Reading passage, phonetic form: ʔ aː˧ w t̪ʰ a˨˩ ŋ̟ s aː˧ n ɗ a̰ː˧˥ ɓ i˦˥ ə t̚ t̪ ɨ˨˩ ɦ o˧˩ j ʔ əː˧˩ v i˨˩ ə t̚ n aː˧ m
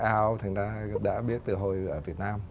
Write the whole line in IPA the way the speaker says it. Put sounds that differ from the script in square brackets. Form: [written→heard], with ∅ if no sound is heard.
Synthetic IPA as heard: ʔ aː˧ w t̪ʰ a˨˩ ŋ̟ [s→z] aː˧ [n→∅] ɗ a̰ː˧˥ ɓ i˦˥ ə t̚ t̪ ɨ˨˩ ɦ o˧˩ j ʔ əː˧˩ v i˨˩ ə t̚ n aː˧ m